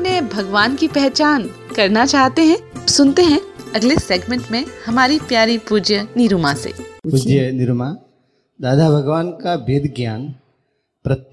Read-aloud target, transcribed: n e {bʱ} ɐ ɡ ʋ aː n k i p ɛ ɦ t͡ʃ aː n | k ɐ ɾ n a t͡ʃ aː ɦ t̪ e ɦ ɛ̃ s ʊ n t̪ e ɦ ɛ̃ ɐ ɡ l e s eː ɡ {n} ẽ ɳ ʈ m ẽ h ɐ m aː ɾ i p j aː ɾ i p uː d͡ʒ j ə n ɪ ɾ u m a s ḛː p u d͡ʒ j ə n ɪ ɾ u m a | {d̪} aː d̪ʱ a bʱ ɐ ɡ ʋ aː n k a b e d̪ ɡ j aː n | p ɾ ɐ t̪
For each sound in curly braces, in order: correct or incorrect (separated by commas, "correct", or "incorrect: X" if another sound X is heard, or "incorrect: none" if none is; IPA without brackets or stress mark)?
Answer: correct, incorrect: m, correct